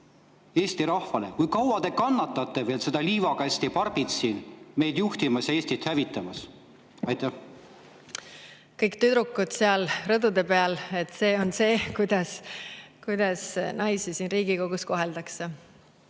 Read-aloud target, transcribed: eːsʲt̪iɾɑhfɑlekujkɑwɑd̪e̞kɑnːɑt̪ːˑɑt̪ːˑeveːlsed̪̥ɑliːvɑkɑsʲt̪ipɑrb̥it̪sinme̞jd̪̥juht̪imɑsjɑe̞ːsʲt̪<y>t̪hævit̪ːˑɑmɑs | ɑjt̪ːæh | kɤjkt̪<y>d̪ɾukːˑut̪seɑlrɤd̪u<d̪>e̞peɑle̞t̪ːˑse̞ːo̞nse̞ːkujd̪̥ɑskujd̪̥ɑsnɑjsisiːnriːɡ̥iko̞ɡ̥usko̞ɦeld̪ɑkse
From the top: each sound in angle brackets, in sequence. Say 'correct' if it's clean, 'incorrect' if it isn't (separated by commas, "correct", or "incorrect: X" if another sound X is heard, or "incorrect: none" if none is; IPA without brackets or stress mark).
incorrect: i, correct, correct